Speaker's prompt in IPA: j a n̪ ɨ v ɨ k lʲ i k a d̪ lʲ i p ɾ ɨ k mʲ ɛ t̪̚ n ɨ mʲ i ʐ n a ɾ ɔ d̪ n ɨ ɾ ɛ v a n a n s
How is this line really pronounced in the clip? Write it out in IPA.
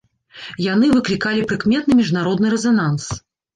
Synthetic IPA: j a n̪ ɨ v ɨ k lʲ i k a lʲ i p ɾ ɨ k mʲ ɛ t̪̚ n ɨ mʲ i ʐ n a ɾ ɔ d̪ n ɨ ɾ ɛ z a n a n s